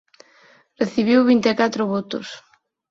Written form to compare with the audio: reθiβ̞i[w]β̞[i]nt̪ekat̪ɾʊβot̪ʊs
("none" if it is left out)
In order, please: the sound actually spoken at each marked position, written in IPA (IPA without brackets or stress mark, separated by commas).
w, i